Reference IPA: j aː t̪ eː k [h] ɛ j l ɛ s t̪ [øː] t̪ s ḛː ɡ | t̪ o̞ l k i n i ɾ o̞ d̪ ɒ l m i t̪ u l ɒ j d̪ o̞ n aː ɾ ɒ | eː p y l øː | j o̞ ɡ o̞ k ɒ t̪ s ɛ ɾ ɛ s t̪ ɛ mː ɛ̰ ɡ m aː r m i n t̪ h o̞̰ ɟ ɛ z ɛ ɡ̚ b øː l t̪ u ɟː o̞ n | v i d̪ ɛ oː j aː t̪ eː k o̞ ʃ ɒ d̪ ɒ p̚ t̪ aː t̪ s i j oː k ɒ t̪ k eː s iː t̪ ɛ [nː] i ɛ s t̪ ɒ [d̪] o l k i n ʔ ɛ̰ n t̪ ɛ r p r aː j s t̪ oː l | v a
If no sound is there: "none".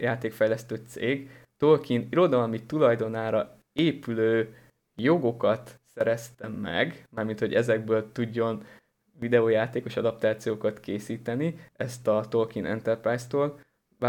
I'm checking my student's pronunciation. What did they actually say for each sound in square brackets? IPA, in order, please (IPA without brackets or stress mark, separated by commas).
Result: f, øː, n, t̪